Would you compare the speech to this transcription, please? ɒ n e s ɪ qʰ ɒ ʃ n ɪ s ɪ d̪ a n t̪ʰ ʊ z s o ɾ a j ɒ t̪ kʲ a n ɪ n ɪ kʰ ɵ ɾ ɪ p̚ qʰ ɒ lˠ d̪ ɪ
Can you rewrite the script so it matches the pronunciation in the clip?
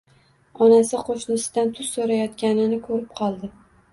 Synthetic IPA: ɒ n a s ɪ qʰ o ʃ n ɪ s ɪ d̪ a n t̪ʰ ʊ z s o ɾ a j ɒ t̪ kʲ a n ɪ n ɪ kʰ ɵ ɾ ɪ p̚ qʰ ɒ lˠ d̪ ɪ